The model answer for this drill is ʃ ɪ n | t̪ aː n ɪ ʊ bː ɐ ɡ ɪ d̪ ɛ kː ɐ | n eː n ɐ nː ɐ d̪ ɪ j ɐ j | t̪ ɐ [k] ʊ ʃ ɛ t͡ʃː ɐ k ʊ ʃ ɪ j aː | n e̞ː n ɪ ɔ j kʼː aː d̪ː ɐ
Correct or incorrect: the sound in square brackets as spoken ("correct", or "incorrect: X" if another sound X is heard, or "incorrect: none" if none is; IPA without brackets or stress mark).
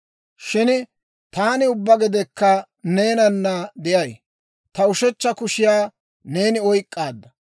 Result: incorrect: none